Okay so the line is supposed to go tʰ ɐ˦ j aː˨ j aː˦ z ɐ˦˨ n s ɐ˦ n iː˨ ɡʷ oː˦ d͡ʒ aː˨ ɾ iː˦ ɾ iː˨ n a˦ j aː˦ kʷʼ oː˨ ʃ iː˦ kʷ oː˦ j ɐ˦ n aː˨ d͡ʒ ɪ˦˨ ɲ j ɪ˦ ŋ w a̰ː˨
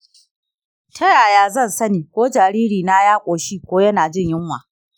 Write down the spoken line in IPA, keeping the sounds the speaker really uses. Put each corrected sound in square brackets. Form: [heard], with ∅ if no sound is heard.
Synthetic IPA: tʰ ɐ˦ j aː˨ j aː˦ z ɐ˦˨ n s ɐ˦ n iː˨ [kʷ] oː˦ d͡ʒ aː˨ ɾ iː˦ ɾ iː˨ n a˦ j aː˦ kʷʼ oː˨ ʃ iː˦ kʷ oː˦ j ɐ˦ n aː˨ d͡ʒ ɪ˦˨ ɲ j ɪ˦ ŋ w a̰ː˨

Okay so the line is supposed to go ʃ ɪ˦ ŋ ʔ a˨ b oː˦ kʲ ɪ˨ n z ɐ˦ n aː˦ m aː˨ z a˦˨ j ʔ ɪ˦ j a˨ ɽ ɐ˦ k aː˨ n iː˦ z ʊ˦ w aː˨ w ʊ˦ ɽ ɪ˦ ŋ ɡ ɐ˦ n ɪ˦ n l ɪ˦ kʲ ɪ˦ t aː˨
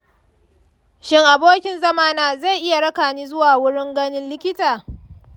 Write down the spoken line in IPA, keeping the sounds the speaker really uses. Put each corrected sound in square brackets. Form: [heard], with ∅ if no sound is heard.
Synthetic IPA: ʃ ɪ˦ ŋ ʔ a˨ b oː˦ kʲ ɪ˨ n z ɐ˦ [m] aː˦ [n] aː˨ z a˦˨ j ʔ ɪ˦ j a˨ ɽ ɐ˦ k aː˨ n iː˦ z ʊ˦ w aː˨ w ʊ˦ ɽ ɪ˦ ŋ ɡ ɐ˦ n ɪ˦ n l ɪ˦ kʲ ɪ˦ t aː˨

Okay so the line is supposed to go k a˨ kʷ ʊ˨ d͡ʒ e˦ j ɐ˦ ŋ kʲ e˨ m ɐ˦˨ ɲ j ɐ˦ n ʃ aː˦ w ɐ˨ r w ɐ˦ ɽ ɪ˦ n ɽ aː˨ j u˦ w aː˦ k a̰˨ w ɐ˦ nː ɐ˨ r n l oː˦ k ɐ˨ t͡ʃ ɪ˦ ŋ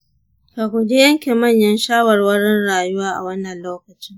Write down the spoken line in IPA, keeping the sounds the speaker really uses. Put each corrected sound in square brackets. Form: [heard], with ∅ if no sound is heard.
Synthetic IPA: k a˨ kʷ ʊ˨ d͡ʒ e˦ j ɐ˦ ŋ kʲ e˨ m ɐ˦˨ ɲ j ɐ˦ n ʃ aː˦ w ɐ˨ r w ɐ˦ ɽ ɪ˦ n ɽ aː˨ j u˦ w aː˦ [ʔ] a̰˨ w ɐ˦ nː ɐ˨ [∅] n l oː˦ k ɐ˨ t͡ʃ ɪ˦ ŋ

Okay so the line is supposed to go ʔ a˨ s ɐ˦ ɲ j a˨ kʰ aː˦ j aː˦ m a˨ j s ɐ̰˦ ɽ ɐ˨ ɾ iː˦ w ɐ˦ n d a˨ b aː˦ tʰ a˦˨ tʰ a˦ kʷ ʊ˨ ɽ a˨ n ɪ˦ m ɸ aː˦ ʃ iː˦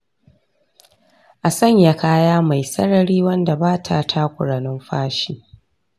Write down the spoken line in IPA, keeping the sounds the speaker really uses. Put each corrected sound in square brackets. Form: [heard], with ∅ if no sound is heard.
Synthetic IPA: ʔ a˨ s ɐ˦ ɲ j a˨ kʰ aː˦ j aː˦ m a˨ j s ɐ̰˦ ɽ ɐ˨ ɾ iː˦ w ɐ˦ n d a˨ b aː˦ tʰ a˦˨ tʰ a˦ kʷ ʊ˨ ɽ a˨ n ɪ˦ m ɸ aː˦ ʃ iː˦

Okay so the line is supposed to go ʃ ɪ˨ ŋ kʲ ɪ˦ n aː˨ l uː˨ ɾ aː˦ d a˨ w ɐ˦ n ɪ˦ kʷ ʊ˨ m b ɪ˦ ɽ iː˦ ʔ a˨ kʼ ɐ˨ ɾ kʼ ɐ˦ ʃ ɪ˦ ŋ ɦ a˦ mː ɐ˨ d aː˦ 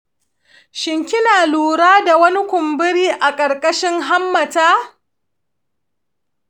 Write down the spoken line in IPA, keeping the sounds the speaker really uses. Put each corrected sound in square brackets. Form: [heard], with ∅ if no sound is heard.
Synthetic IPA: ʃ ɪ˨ ŋ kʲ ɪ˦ n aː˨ l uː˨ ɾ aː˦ d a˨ w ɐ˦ n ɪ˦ kʷ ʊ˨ m b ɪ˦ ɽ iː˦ ʔ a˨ kʼ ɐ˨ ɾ kʼ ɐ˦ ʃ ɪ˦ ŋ ɦ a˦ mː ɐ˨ [t] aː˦

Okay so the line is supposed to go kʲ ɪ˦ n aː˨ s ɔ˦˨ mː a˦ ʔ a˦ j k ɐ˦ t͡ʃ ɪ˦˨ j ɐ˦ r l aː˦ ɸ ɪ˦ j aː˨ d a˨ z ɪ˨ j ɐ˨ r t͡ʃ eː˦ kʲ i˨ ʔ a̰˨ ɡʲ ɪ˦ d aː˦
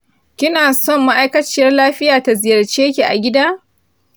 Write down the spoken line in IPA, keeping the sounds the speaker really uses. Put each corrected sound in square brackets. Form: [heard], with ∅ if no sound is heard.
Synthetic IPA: kʲ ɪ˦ n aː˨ s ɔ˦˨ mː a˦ ʔ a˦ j k ɐ˦ t͡ʃ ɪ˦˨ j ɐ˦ r l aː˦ ɸ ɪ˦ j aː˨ [t] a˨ z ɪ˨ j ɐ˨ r t͡ʃ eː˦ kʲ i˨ ʔ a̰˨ ɡʲ ɪ˦ d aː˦

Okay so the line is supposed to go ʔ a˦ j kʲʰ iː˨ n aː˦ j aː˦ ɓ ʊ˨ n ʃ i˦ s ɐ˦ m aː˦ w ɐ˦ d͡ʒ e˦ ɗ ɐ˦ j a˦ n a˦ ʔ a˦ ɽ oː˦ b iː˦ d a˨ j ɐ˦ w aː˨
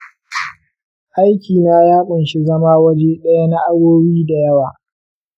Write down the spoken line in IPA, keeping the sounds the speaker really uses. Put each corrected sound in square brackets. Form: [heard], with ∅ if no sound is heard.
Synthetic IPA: ʔ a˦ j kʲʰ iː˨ n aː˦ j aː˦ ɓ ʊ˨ n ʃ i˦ [z] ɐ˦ m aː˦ w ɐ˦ d͡ʒ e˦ ɗ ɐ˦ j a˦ n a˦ ʔ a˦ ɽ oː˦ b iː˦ d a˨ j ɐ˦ w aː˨

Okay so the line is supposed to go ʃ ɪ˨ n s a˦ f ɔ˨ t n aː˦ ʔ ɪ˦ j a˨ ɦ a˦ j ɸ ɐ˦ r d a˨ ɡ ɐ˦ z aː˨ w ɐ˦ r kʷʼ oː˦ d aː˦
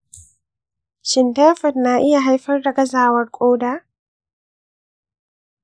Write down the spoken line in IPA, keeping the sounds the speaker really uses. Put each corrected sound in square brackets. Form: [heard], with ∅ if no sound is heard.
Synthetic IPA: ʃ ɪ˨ n [t] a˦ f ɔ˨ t n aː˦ ʔ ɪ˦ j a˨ ɦ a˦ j ɸ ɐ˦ r d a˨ ɡ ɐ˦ z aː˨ w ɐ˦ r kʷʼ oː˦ d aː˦

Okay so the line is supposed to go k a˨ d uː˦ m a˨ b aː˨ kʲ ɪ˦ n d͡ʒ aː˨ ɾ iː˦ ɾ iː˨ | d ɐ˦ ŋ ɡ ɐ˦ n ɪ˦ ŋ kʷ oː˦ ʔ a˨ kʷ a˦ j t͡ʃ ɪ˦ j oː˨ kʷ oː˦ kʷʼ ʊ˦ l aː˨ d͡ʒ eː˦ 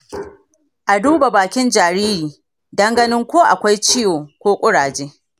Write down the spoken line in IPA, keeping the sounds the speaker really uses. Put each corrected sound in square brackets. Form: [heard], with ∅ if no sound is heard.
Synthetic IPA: [ʔ] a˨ d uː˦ [b] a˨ b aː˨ kʲ ɪ˦ n d͡ʒ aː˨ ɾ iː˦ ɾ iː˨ | d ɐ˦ ŋ ɡ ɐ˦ n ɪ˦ ŋ kʷ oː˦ ʔ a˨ kʷ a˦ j t͡ʃ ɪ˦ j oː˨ kʷ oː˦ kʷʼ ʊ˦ [ɽ] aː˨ d͡ʒ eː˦

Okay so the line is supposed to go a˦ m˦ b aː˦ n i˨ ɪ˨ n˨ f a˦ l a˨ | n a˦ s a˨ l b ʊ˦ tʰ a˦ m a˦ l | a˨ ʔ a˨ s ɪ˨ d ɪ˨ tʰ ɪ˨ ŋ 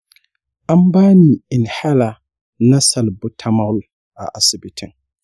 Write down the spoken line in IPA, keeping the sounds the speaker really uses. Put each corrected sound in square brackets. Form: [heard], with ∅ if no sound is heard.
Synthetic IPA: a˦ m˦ b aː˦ n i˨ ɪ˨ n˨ [h] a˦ l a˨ | n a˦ s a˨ l b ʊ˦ tʰ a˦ m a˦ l | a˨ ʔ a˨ s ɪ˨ [b] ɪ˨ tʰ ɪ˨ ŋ

